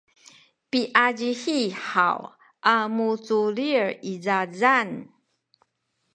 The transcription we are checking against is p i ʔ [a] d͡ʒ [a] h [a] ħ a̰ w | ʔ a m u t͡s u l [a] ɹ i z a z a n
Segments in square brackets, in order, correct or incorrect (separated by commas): correct, incorrect, incorrect, incorrect